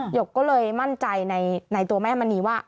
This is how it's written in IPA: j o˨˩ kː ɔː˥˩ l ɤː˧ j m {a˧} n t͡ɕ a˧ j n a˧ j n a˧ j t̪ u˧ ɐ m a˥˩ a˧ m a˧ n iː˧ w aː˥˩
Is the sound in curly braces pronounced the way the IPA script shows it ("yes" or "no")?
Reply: no